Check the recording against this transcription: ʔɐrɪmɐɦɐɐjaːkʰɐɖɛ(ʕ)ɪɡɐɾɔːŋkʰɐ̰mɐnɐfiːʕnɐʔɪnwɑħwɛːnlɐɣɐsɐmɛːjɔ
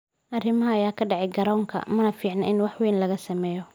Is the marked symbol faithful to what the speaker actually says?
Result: yes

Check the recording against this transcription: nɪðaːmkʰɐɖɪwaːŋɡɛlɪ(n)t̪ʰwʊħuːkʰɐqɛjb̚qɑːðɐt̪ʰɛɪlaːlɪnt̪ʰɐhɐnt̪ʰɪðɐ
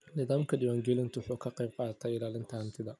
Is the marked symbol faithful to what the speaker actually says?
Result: yes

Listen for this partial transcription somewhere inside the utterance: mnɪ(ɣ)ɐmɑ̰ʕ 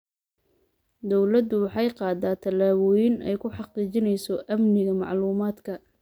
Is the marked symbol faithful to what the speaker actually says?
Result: yes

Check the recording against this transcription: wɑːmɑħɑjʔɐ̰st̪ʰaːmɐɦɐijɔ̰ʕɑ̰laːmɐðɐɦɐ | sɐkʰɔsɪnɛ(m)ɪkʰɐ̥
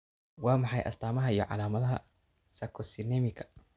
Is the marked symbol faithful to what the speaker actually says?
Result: yes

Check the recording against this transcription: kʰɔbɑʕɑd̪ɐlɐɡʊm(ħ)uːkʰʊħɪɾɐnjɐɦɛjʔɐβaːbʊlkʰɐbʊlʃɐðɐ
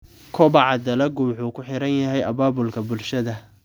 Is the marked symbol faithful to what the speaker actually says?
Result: yes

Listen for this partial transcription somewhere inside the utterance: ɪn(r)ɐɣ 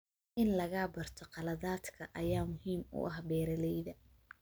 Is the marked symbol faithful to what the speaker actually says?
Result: no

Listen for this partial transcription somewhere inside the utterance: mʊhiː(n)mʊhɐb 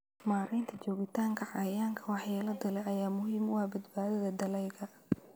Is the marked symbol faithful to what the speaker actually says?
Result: no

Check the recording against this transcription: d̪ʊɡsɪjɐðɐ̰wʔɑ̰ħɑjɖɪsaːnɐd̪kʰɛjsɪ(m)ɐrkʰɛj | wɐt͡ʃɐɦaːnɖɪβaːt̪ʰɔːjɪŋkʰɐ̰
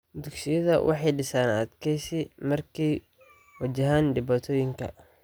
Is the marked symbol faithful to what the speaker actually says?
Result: yes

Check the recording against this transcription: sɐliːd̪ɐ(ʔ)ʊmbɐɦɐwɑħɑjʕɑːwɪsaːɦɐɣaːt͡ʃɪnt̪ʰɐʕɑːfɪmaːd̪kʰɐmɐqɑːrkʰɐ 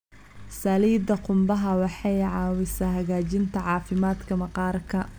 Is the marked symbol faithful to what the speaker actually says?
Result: no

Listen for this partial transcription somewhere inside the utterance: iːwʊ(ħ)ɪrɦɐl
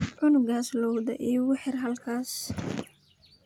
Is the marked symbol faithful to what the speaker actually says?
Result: yes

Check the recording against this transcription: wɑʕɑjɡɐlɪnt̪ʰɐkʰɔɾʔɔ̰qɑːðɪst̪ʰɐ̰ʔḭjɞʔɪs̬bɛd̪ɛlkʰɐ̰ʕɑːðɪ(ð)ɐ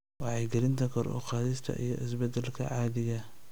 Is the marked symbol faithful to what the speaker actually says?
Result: no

